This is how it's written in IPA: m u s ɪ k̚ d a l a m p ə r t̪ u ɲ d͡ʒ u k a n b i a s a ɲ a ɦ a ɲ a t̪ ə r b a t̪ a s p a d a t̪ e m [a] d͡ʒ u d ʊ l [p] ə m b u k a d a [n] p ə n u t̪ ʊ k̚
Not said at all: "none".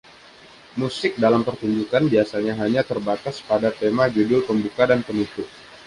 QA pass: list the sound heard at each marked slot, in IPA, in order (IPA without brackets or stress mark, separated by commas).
a, p, n